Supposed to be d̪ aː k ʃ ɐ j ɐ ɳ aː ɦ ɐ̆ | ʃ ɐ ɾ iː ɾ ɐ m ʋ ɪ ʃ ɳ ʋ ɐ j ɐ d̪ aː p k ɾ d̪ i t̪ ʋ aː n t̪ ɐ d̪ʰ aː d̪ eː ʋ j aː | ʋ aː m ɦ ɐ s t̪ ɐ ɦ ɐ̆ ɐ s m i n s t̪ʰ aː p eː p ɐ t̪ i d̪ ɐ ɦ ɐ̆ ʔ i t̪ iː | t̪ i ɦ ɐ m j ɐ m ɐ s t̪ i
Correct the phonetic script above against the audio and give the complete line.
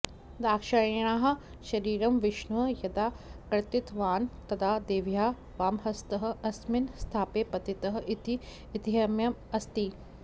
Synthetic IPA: d̪ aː k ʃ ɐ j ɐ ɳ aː ɦ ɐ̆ | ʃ ɐ ɾ iː ɾ ɐ m ʋ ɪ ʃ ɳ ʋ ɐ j ɐ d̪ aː k ɾ t̪ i t̪ ʋ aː n t̪ ɐ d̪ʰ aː d̪ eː ʋ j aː | ʋ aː m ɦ ɐ s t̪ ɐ ɦ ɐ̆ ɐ s m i n s t̪ʰ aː p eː p ɐ t̪ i t̪ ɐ ɦ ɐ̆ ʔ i t̪ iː | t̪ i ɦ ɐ m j ɐ m ɐ s t̪ i

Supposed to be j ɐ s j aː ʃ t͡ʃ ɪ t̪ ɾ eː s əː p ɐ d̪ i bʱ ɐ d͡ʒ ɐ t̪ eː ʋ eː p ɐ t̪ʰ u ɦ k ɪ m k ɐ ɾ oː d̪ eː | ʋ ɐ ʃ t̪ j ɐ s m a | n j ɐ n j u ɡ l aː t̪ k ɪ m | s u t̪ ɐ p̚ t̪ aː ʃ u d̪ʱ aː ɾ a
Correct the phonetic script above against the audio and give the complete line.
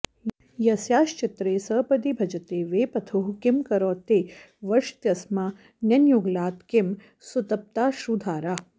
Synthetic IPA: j ɐ s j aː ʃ t͡ʃ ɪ t̪ ɾ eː s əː p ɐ d̪ i bʱ ɐ d͡ʒ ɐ t̪ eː ʋ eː p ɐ t̪ʰ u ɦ k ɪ m k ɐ ɾ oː t̪ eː | ʋ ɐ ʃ t̪ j ɐ s m a | n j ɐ n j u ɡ l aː t̪ k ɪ m | s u t̪ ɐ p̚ t̪ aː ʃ u d̪ʱ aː ɾ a

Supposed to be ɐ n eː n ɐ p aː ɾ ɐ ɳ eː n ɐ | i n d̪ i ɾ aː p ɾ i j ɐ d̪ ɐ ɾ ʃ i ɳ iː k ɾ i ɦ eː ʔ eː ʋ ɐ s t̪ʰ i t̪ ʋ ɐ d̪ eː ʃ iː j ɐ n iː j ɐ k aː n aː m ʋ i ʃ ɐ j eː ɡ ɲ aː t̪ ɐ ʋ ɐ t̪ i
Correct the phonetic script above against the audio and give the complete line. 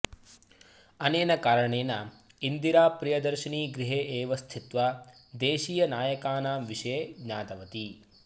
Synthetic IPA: ɐ n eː n ɐ k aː ɾ ɐ ɳ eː n ɐ | i n d̪ i ɾ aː p ɾ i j ɐ d̪ ɐ ɾ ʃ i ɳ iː ɡ ɾ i ɦ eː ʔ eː ʋ ɐ s t̪ʰ i t̪ ʋ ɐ d̪ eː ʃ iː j ɐ n aː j ɐ k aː n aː m ʋ i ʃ ɐ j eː ɡ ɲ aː t̪ ɐ ʋ ɐ t̪ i

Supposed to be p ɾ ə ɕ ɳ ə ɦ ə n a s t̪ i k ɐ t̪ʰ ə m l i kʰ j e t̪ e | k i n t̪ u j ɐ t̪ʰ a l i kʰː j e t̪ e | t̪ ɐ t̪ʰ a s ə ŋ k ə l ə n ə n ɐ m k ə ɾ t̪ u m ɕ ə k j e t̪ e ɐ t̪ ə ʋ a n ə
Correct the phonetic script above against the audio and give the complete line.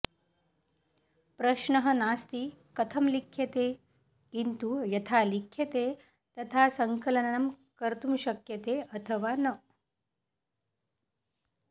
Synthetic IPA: p ɾ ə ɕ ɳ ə ɦ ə n a s t̪ i k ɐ t̪ʰ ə m l i kʰ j e t̪ e | k i n t̪ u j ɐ t̪ʰ a l i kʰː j e t̪ e | t̪ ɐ t̪ʰ a s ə ŋ k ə l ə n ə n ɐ m k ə ɾ t̪ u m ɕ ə k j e t̪ e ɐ t̪ʰ ə ʋ a n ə

